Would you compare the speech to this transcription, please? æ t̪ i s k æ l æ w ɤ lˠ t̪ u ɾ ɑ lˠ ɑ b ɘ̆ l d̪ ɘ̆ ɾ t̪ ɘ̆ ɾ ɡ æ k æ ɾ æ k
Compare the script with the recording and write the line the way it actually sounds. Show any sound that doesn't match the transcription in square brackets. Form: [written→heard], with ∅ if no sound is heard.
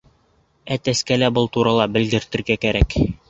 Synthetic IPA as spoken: æ t̪ [i→æ] s k æ l æ [w→b] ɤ lˠ t̪ u ɾ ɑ lˠ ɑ b ɘ̆ l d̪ ɘ̆ ɾ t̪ ɘ̆ ɾ ɡ æ k æ ɾ æ k